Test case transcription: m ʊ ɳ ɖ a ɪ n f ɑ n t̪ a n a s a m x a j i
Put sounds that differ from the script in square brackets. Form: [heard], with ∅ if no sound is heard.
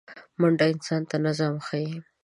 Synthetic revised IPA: m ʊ ɳ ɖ a ɪ n [s] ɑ n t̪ a n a [z] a m x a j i